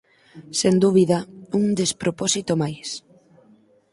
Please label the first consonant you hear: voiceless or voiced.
voiceless